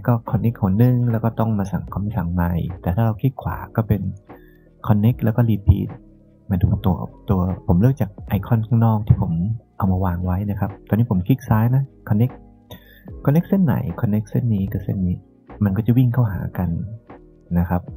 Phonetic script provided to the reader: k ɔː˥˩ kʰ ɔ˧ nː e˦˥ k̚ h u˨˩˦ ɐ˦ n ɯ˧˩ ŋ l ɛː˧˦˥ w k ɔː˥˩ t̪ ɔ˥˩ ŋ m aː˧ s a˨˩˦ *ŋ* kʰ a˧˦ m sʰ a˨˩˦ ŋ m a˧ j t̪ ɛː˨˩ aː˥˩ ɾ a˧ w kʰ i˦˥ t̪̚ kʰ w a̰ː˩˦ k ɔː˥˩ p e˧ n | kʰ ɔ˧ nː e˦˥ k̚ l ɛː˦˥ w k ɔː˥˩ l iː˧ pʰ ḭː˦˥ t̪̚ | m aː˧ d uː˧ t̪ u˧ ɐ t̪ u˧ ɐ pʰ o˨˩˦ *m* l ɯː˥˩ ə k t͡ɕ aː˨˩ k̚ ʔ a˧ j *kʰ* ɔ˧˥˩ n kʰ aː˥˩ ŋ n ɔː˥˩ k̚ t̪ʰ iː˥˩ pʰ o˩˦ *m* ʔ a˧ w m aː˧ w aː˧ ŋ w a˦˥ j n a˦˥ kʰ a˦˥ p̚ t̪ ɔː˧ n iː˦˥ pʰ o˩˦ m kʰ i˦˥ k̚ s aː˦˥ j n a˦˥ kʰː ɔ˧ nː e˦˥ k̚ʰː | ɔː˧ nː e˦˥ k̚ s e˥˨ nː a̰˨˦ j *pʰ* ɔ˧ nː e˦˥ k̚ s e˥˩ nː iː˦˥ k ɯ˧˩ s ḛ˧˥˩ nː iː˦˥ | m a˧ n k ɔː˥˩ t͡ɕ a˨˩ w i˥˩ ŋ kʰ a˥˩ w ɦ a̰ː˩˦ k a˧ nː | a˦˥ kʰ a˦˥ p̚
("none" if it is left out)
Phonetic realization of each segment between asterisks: ŋ, m, kʰ, m, kʰ

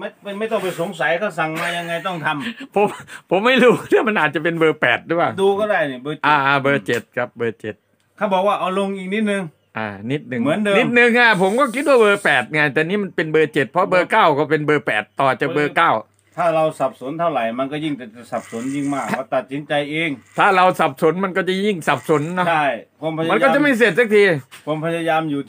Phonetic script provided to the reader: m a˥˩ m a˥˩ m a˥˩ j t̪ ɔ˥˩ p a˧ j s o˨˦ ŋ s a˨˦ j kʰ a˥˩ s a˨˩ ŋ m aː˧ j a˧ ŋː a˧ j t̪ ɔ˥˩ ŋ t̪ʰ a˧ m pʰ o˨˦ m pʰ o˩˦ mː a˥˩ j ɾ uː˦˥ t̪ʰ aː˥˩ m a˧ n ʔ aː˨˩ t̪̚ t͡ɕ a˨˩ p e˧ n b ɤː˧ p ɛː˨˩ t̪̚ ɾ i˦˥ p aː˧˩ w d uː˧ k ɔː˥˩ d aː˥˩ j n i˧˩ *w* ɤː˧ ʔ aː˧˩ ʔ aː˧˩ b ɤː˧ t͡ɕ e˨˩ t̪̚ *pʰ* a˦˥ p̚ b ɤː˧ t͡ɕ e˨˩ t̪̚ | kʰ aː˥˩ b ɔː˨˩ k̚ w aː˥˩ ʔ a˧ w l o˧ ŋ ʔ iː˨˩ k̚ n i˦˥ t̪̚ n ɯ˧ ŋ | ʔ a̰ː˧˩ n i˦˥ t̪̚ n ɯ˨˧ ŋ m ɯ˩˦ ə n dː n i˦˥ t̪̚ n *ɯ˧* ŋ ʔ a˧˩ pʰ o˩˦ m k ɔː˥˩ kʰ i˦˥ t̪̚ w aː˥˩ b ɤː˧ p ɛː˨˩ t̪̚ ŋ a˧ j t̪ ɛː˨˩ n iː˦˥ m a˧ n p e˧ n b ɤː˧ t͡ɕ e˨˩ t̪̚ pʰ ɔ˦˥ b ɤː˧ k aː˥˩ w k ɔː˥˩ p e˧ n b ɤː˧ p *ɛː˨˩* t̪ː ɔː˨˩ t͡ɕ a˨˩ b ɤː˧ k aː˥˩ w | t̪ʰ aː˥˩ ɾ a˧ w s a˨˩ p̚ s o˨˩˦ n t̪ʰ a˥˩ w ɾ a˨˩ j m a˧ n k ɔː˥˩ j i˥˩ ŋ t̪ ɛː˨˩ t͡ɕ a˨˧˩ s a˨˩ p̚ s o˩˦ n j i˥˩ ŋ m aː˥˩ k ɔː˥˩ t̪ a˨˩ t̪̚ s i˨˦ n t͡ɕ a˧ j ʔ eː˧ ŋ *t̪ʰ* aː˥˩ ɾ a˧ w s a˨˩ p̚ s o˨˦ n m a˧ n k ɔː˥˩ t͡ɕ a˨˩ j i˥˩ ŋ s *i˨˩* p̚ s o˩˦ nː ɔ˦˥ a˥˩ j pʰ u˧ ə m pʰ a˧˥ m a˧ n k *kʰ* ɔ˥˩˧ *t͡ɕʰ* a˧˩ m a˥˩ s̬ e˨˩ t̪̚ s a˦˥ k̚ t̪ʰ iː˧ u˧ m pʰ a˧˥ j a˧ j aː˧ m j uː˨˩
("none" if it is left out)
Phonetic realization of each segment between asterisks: b, kʰ, ɯ˧, ɛː˨˩, t̪ʰ, a˨˩, k, t͡ɕ

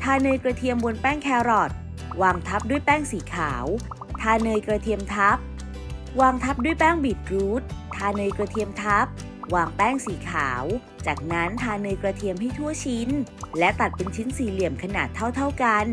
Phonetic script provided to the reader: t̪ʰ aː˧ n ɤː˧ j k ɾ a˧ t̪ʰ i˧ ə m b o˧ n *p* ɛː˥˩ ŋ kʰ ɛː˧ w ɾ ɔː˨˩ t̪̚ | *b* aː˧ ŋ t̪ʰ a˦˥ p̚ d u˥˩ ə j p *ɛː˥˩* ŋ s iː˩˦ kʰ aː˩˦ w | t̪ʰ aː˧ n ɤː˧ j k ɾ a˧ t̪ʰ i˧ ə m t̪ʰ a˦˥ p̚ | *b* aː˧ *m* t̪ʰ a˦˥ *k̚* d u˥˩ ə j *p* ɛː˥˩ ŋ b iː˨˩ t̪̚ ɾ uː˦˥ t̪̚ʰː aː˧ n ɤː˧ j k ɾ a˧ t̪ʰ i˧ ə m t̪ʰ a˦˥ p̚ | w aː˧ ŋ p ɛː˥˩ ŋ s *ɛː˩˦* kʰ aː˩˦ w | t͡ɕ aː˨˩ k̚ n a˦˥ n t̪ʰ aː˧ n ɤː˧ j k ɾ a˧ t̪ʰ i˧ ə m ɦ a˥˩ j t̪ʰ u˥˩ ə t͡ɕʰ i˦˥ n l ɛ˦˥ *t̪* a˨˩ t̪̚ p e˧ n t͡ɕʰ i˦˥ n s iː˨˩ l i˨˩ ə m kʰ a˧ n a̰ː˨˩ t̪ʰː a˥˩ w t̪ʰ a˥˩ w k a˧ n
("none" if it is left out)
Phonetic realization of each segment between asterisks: p, w, ɛː˥˩, w, ŋ, p̚, p, iː˩˦, t̪

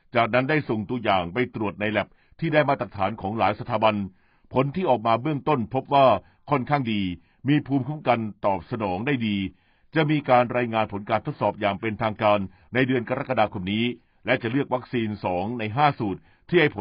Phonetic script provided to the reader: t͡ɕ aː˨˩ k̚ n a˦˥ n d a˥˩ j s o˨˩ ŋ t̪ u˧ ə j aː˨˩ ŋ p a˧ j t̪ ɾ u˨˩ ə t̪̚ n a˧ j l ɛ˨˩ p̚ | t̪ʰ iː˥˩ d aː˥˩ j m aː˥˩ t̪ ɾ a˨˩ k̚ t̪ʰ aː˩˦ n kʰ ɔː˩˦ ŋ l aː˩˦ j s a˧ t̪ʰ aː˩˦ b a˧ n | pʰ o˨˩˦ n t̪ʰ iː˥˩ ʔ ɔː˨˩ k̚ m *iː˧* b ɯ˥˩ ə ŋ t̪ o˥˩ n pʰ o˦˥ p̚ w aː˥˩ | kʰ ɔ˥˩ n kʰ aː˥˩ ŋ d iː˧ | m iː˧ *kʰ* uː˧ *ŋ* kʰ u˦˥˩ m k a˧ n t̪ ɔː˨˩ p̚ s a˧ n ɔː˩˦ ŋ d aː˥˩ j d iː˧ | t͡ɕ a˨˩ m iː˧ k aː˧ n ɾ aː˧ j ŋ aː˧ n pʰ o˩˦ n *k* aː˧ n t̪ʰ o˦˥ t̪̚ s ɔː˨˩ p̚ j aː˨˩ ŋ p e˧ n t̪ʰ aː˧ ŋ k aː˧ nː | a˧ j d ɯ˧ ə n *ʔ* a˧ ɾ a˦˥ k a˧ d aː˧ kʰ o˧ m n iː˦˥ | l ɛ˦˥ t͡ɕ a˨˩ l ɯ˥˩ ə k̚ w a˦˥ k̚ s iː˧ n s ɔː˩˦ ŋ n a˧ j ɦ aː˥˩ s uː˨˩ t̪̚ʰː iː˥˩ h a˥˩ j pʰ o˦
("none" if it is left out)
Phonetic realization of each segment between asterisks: aː˧, pʰ, m, k, k

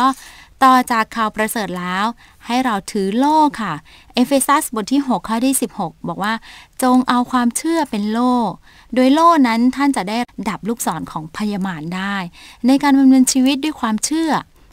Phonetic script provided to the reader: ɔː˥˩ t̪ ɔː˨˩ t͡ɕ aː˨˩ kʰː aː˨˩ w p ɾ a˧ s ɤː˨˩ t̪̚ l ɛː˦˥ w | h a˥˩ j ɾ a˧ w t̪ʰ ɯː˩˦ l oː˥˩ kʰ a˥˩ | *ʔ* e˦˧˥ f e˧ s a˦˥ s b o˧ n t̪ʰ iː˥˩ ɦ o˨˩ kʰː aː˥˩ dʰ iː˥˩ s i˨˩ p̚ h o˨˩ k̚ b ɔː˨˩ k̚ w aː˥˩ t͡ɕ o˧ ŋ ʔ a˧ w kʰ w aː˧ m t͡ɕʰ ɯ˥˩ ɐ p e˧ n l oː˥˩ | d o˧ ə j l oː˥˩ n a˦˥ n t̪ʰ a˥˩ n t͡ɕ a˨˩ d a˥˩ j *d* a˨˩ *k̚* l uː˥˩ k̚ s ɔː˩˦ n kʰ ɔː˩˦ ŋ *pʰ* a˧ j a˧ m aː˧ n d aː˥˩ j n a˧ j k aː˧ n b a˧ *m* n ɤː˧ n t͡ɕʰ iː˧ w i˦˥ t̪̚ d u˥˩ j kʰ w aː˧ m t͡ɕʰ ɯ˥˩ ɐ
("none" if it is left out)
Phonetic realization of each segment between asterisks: ʔ, d, p̚, pʰ, m

